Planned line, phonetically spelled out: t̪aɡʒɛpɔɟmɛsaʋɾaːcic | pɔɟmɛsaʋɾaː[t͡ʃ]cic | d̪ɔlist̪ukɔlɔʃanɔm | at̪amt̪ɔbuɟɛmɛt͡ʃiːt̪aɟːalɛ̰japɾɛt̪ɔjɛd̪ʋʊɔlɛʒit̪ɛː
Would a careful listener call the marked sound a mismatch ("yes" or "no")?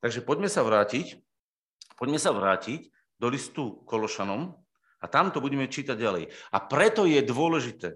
yes